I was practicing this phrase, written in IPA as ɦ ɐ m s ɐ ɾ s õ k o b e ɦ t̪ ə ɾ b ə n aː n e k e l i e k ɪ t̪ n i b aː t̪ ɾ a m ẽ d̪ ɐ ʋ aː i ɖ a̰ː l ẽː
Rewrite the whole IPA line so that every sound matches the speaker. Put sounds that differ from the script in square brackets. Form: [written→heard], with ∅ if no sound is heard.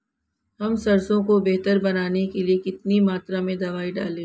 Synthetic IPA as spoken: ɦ ɐ m s ɐ ɾ s õ k o b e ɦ t̪ ə ɾ b [ə→ɐ] n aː n e k e l i e k ɪ t̪ n i [b→m] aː t̪ ɾ a m ẽ d̪ ɐ ʋ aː i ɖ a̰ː l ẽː